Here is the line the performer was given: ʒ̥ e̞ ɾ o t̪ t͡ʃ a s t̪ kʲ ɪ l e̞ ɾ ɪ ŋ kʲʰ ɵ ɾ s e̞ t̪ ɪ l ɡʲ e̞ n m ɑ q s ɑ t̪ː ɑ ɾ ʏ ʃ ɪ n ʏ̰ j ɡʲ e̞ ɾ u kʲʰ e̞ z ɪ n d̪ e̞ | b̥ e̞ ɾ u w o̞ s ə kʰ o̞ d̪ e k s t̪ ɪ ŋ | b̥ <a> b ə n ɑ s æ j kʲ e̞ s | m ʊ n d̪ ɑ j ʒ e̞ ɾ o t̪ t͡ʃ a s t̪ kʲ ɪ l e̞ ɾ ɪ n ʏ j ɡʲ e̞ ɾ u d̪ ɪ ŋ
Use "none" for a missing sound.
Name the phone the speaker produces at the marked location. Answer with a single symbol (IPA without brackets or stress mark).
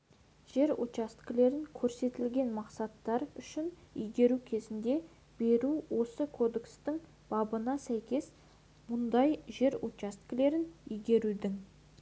ɑ